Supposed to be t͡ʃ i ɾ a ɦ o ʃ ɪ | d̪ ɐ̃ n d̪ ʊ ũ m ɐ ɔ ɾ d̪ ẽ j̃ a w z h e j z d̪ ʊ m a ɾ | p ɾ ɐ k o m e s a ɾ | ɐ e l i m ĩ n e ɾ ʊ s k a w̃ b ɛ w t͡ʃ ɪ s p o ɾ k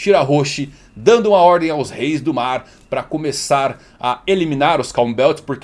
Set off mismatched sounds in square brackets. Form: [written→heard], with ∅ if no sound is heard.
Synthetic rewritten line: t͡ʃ i ɾ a ɦ o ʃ ɪ | d̪ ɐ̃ n d̪ ʊ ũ m ɐ ɔ ɾ d̪ ẽ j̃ a w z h e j z d̪ ʊ m a ɾ | p ɾ ɐ k o m e s a ɾ | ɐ e l i m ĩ n [e→a] ɾ ʊ s k a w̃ b ɛ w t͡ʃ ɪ s p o ɾ k